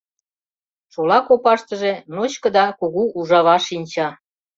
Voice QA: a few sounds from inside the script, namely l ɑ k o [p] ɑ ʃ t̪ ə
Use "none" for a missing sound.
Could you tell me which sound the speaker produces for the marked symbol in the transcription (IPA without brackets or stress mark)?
p